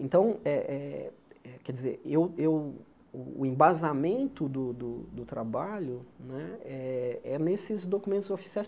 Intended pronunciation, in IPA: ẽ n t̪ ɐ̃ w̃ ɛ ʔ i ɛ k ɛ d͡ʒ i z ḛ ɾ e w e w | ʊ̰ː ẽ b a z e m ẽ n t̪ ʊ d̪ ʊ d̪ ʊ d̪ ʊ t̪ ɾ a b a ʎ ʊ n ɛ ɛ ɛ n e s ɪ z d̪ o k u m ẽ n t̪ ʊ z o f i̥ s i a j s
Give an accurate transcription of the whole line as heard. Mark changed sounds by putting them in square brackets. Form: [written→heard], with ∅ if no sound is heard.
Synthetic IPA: ẽ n t̪ ɐ̃ w̃ ɛ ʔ [i→ɛ] ɛ k ɛ d͡ʒ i z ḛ ɾ e w e w | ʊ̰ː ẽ b a z [e→a] m ẽ n t̪ ʊ d̪ ʊ d̪ ʊ d̪ ʊ t̪ ɾ a b a ʎ ʊ n ɛ ɛ ɛ n e s ɪ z d̪ o k u m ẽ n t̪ ʊ z o f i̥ s i a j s